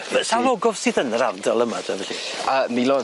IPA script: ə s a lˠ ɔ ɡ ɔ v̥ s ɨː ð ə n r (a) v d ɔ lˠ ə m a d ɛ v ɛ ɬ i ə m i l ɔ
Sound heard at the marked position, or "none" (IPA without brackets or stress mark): a